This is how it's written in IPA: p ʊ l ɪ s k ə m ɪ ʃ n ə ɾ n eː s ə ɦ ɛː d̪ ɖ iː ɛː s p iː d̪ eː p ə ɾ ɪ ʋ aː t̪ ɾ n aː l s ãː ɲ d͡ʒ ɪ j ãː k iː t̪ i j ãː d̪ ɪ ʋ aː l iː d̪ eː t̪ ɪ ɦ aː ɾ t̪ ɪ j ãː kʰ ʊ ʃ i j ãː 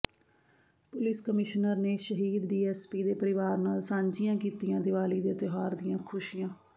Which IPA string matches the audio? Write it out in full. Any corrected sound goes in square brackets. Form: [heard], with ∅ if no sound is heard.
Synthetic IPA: p ʊ l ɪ s k ə m ɪ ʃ n ə ɾ n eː [ʃ] ə ɦ [iː] d̪ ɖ iː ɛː s p iː d̪ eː p ə ɾ ɪ ʋ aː [∅] ɾ n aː l s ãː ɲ d͡ʒ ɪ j ãː k iː t̪ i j ãː d̪ ɪ ʋ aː l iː d̪ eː t̪ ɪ ɦ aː ɾ [d̪] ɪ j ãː kʰ ʊ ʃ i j ãː